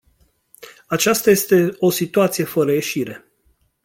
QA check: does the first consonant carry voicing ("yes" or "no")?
no